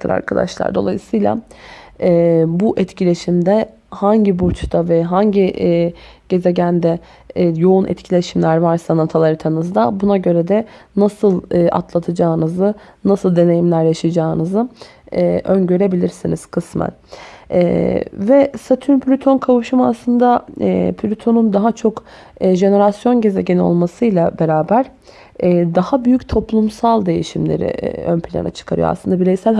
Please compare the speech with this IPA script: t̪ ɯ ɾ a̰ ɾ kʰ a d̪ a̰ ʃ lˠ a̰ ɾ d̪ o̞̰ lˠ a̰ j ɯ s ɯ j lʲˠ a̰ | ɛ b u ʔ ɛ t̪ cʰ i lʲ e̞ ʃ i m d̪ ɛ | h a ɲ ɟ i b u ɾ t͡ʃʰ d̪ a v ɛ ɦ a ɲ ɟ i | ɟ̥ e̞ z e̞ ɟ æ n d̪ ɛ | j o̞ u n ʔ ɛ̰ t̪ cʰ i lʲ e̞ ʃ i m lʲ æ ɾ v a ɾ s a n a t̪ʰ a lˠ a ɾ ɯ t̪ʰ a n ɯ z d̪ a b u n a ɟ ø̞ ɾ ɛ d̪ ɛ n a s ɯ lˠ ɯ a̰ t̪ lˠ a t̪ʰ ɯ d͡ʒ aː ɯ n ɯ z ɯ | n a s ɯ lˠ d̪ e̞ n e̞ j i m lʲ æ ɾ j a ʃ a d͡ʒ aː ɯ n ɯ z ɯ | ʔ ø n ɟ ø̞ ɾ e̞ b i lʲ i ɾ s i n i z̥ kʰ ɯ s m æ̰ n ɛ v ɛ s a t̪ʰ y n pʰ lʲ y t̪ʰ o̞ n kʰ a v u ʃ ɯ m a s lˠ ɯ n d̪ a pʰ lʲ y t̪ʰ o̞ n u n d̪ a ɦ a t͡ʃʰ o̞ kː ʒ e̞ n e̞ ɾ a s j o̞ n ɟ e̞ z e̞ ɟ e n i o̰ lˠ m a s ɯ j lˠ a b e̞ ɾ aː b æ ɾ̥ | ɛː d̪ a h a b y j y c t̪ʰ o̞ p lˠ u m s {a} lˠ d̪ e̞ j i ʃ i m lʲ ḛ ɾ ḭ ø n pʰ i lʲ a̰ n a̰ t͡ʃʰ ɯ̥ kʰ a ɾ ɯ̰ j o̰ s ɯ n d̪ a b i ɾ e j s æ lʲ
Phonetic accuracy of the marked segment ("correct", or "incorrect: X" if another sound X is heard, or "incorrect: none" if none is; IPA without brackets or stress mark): correct